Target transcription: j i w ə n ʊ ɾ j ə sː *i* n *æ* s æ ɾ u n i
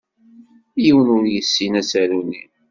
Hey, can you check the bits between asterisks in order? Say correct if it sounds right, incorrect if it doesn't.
correct, correct

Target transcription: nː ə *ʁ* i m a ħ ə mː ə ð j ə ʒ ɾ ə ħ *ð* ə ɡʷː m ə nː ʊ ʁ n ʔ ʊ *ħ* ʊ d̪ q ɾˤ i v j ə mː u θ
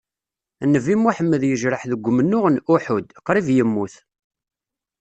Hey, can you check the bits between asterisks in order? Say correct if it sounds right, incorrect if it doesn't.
incorrect, correct, correct

